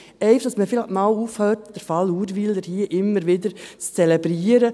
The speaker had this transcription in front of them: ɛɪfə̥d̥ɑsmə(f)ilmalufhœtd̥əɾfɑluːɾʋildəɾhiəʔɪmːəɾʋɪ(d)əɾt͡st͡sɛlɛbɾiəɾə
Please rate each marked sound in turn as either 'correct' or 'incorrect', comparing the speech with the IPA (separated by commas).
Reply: correct, correct